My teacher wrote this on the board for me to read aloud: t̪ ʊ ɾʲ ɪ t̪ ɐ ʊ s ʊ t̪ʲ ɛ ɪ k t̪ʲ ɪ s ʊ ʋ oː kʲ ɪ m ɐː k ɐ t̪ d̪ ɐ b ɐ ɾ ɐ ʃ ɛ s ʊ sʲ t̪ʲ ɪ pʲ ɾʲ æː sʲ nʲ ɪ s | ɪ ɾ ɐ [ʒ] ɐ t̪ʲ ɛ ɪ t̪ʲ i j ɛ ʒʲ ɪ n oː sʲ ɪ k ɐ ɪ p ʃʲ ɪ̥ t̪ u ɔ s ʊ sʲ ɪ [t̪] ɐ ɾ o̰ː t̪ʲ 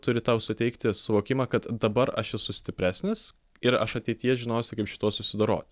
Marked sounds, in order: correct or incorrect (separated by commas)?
incorrect, incorrect